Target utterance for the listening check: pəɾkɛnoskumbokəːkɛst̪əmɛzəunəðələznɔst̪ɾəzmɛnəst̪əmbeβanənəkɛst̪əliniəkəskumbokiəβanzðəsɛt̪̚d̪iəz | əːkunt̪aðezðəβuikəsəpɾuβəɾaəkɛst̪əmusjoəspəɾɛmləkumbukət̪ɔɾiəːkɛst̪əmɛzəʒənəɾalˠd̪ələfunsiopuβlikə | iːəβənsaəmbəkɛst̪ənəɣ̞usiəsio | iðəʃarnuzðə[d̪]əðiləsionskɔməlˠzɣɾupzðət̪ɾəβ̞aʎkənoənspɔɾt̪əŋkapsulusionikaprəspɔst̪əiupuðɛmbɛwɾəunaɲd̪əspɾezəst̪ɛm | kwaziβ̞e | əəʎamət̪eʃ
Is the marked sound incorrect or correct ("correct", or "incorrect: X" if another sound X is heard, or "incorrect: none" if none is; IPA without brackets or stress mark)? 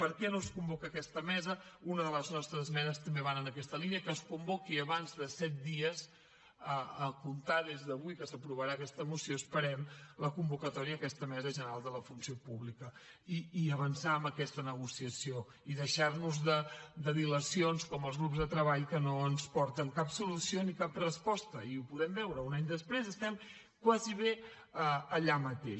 correct